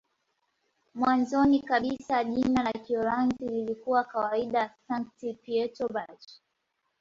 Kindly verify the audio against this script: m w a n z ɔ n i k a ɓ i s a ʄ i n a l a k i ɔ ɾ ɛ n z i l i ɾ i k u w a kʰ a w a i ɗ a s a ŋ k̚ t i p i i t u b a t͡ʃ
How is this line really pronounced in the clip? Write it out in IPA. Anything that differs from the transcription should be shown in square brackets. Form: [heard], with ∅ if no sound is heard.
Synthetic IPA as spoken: m w a n z ɔ n i k a ɓ i s a ʄ i n a l a k i ɔ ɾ [a] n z i l i [l] i k u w a [k] a w a i ɗ a s a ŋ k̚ t i p i [ɛ] t [ɔ] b a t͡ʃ